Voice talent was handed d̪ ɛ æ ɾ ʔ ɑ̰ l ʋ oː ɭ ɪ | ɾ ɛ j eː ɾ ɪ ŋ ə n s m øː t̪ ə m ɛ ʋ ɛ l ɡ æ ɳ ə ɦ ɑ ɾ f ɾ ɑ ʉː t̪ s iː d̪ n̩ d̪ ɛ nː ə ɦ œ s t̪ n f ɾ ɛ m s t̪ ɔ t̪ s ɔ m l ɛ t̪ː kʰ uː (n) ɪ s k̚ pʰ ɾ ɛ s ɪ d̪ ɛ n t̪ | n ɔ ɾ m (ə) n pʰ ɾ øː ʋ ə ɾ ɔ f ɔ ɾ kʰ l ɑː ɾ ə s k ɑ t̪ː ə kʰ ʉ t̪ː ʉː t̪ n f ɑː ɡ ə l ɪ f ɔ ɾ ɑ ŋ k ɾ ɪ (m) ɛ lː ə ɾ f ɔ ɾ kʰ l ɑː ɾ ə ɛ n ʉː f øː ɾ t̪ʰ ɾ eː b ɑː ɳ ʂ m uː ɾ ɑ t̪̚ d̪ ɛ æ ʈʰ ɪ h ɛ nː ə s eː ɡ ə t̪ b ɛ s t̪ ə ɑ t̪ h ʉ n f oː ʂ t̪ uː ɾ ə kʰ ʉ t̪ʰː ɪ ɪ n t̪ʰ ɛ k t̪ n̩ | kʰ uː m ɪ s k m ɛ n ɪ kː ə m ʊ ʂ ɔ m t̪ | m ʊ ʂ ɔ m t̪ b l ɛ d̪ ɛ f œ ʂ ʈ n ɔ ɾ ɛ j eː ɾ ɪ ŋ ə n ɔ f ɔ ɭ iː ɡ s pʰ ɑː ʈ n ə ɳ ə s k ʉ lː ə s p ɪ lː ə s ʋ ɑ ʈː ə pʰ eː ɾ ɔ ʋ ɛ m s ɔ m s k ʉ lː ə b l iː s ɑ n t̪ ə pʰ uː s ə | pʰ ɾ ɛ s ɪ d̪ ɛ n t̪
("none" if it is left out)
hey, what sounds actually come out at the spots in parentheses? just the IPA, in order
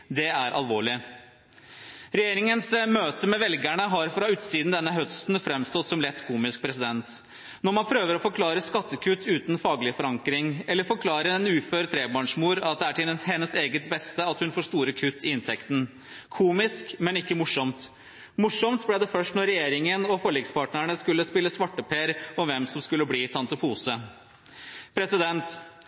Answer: m, ɑ, ŋ

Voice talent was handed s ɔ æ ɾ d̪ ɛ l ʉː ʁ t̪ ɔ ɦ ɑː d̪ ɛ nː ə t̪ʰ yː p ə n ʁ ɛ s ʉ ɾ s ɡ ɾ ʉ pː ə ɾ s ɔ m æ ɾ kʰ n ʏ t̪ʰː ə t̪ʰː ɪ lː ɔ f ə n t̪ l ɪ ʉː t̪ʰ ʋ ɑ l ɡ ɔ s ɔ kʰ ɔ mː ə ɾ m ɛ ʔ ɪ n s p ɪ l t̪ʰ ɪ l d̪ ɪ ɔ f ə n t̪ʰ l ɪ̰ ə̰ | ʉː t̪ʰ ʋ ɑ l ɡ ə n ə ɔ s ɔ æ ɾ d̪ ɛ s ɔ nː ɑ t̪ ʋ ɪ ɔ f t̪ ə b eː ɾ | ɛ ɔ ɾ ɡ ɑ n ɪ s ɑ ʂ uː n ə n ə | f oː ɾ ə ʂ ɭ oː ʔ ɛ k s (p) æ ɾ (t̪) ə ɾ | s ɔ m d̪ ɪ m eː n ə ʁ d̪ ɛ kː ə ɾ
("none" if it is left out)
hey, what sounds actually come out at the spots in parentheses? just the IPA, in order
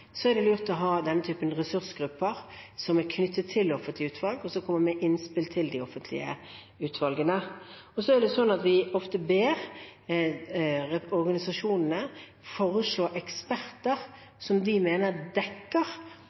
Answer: p, t̪

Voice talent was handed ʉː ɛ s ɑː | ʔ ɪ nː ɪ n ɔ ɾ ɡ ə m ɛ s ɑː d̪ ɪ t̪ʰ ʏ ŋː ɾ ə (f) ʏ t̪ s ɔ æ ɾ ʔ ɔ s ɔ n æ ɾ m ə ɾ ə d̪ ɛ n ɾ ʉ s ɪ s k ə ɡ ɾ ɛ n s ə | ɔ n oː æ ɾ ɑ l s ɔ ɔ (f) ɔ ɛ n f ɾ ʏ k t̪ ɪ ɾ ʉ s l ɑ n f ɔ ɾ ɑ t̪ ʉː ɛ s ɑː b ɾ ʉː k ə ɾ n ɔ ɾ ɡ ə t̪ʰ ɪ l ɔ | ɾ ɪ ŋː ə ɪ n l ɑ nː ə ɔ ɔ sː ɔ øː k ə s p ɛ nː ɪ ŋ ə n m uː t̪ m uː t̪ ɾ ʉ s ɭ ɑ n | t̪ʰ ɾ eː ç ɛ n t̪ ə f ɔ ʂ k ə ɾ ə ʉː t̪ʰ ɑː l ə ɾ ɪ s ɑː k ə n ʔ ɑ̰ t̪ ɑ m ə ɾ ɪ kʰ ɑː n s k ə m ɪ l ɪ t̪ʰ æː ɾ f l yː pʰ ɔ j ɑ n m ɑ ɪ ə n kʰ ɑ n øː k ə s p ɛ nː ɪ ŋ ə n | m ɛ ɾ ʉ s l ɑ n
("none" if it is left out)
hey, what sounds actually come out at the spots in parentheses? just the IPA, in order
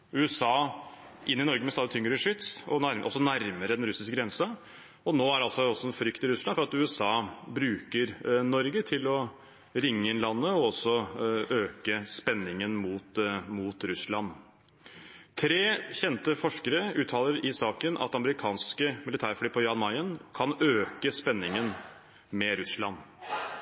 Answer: ʂ, s

